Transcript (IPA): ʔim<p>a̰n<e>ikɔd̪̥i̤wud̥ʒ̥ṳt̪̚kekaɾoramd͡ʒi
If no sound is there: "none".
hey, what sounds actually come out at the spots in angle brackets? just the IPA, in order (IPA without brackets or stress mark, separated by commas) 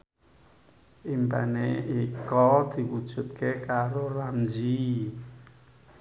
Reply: p, e